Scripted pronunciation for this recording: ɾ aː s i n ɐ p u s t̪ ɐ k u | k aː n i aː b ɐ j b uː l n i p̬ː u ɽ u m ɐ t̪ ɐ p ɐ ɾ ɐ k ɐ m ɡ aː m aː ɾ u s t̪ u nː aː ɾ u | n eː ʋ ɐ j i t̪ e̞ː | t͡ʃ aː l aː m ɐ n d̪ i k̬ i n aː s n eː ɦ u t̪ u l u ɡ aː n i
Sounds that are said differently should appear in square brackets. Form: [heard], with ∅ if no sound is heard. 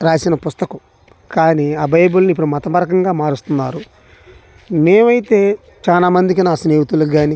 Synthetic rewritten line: ɾ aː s i n ɐ p u s t̪ ɐ k u | k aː n i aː b ɐ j b [u] l n i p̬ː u ɽ u m ɐ t̪ ɐ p ɐ ɾ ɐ k ɐ [ŋ] ɡ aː m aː ɾ u s t̪ u nː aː ɾ u | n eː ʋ ɐ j i t̪ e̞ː | t͡ʃ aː l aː m ɐ n d̪ i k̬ i n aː s n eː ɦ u t̪ u l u ɡ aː n i